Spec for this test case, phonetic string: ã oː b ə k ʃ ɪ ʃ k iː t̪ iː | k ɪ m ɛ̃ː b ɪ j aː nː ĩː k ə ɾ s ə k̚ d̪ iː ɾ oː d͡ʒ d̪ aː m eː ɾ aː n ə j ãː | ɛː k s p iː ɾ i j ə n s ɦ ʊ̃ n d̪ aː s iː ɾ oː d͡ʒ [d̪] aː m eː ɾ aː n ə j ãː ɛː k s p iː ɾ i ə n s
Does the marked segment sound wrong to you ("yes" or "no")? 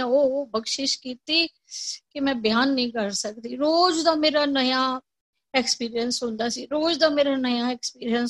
no